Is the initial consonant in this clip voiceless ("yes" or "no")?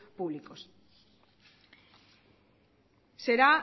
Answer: yes